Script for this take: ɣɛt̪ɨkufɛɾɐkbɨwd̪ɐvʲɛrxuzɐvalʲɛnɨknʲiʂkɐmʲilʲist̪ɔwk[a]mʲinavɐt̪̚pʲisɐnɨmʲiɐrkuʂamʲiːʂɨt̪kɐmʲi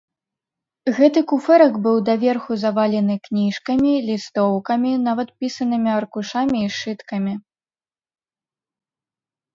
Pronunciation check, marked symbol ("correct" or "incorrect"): incorrect